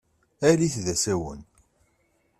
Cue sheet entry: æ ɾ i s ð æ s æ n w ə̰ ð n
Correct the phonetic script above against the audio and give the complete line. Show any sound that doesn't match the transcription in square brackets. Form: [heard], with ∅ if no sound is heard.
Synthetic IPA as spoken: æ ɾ i [θ] ð æ s æ [∅] w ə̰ [∅] n